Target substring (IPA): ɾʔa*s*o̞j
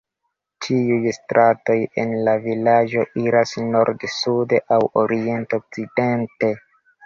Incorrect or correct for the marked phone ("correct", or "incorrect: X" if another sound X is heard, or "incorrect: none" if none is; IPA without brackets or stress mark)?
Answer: incorrect: t